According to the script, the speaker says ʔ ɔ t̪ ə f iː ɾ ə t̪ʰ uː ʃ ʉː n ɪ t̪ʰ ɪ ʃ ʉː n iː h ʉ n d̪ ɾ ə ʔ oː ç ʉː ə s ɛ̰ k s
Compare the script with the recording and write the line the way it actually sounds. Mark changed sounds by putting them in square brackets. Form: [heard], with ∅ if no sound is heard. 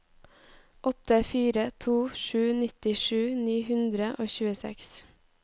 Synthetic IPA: ʔ ɔ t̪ ə f iː ɾ ə t̪ʰ uː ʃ ʉː n ɪ [t̪] ɪ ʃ ʉː n iː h ʉ n d̪ ɾ ə ʔ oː ç ʉː ə s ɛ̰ k s